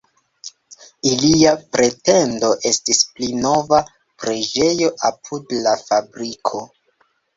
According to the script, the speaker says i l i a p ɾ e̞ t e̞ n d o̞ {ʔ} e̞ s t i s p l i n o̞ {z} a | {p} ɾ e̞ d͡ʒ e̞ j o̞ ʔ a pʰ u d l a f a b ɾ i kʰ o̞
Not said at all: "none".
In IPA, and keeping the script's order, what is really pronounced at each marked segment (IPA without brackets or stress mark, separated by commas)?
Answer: ʔ, v, p